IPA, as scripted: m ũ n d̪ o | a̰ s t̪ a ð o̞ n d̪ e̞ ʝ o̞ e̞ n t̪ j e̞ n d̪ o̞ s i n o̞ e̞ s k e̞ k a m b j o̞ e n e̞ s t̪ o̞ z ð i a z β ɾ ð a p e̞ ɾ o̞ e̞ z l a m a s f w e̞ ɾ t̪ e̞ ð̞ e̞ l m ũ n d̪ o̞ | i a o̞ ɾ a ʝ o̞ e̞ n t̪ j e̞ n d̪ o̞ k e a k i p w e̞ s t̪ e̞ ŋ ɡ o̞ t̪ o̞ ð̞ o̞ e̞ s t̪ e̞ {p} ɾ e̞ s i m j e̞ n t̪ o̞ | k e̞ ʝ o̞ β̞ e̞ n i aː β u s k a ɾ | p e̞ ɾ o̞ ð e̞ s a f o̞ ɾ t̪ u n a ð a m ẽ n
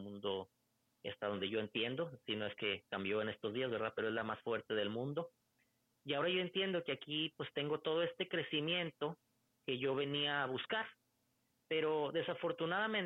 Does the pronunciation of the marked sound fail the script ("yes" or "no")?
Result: yes